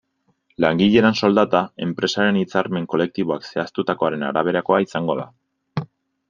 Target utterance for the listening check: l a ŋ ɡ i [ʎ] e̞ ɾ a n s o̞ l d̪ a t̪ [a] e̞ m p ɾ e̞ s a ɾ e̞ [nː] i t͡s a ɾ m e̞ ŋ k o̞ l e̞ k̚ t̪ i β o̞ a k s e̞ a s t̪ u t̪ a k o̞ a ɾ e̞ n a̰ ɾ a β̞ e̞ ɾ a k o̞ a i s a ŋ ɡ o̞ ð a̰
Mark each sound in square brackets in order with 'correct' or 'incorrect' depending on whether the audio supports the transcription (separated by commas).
correct, correct, incorrect